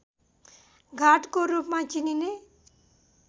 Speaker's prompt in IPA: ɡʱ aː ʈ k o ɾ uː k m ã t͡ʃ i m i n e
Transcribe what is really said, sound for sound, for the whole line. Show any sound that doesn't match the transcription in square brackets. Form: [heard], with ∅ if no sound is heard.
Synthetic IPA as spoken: ɡʱ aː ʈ k o ɾ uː [p] m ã t͡ʃ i [n] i n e